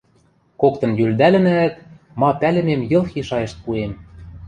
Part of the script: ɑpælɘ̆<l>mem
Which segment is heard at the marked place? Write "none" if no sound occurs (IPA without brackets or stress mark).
none